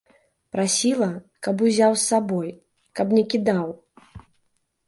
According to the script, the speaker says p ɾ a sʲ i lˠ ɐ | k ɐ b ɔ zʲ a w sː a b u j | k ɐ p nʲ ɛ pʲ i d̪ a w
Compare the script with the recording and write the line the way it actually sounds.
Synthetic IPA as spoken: p ɾ a sʲ i lˠ ɐ | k ɐ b u zʲ a w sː a b ɔ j | k ɐ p nʲ ɛ kʲ i d̪ a w